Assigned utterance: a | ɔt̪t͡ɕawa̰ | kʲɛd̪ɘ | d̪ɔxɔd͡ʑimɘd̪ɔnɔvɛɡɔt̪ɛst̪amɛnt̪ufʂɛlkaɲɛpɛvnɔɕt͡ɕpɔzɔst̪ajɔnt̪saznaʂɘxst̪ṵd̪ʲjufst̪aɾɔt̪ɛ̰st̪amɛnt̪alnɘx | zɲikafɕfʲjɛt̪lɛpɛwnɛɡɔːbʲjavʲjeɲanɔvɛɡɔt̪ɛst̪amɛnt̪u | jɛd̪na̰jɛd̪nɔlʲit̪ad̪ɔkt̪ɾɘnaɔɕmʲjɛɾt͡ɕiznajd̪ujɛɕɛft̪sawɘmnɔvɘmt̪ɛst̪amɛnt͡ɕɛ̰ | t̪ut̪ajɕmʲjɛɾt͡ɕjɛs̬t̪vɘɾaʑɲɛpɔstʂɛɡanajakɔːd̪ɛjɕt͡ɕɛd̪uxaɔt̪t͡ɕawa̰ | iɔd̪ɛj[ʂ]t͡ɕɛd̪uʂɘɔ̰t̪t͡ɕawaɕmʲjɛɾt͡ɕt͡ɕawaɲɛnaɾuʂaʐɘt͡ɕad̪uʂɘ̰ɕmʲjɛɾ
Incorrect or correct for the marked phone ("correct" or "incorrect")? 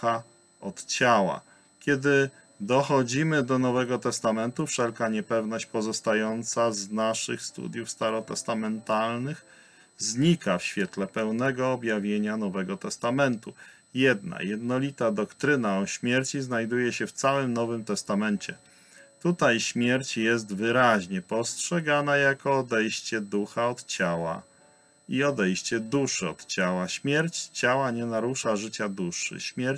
incorrect